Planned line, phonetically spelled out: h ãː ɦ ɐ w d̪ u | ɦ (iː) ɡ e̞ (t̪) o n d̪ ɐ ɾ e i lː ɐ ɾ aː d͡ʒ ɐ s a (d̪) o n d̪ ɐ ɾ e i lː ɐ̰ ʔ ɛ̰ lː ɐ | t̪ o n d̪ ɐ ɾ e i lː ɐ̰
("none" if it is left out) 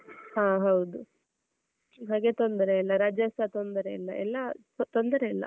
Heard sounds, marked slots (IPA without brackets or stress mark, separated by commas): aː, t̪, t̪